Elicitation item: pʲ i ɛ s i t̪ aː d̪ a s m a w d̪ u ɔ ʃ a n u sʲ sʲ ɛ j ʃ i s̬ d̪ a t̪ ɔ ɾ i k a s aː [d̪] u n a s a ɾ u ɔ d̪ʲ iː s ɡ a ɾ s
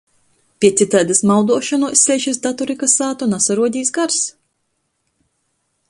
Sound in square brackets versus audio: incorrect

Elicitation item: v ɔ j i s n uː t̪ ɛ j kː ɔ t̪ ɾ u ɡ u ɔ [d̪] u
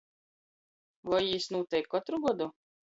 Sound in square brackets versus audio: correct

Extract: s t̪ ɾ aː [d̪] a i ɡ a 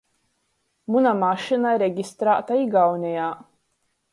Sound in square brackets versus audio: incorrect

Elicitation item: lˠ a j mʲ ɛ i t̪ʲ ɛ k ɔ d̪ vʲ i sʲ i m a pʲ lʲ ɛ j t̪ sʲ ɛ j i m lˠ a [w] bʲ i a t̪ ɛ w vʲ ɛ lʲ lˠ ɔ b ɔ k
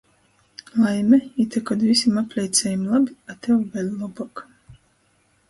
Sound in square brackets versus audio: incorrect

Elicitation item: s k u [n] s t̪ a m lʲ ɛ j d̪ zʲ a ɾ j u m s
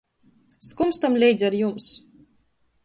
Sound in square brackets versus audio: incorrect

